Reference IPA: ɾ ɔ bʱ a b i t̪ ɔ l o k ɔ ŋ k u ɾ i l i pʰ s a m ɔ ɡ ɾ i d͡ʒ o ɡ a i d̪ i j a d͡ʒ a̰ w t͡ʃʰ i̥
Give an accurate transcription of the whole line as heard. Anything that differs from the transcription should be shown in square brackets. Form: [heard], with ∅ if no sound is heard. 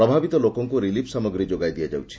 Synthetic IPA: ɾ ɔ bʱ a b i t̪ ɔ l o k ɔ ŋ k u ɾ i l i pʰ s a m ɔ ɡ ɾ i d͡ʒ o ɡ a [j] d̪ i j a d͡ʒ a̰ w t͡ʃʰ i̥